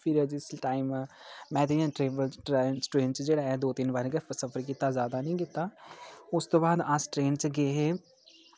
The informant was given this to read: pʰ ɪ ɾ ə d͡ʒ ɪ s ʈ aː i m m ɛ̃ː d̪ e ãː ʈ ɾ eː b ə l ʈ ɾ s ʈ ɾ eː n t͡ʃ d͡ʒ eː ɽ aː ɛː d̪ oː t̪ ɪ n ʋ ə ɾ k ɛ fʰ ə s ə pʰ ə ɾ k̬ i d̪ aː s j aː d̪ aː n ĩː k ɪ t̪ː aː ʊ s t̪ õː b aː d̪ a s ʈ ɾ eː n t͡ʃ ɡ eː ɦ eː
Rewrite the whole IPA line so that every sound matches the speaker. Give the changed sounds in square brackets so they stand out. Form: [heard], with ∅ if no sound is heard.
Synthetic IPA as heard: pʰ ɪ ɾ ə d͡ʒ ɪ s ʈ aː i m m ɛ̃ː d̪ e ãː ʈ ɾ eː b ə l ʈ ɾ s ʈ ɾ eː n t͡ʃ d͡ʒ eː ɽ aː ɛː d̪ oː t̪ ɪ n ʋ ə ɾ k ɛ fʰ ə s ə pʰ ə ɾ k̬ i [t̪] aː [z] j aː d̪ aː n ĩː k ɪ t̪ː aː ʊ s t̪ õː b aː d̪ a s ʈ ɾ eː n t͡ʃ ɡ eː ɦ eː